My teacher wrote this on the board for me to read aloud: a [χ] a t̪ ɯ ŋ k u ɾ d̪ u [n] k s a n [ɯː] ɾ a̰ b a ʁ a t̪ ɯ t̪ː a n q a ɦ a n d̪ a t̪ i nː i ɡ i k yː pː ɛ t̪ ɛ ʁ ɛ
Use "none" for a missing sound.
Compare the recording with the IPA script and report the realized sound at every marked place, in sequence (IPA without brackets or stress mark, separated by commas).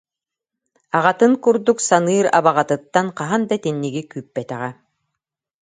ʁ, none, ɯː